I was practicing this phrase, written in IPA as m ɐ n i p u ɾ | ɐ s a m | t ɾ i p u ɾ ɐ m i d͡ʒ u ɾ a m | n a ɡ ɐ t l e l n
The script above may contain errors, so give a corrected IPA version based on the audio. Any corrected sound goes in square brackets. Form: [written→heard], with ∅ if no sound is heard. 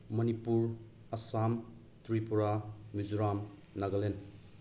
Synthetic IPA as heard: m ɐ n i p u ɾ | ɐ s a m | t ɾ i p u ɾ [ɐ→a] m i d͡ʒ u ɾ a m | n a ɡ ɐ [t→∅] l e [l→∅] n